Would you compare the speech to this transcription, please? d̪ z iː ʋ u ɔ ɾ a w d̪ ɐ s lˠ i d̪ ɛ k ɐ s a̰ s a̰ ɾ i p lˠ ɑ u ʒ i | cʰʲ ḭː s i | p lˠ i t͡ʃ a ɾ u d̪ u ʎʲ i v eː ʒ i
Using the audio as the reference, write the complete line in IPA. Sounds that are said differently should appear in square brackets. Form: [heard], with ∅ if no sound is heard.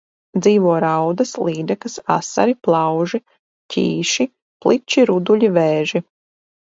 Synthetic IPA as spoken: d̪ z iː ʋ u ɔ ɾ a w d̪ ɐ s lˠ [iː] d̪ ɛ k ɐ s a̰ s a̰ ɾ i p lˠ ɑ [w] ʒ i | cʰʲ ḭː [ʃ] i | p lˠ i t͡ʃ [i] ɾ u d̪ u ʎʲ i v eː ʒ i